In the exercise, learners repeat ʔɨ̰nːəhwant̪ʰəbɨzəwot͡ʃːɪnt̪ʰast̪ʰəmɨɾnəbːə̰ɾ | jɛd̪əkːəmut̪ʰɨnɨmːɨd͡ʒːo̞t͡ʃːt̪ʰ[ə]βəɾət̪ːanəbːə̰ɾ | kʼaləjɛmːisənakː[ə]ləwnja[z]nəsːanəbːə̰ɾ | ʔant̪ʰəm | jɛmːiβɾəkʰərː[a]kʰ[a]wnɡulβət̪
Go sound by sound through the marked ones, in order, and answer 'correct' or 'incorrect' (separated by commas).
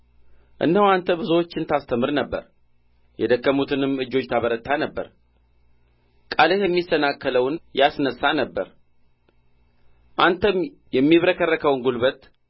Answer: incorrect, correct, incorrect, incorrect, incorrect